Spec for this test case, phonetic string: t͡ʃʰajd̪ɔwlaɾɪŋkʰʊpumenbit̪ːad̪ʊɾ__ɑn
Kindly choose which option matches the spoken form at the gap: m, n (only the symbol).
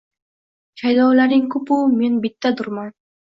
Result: m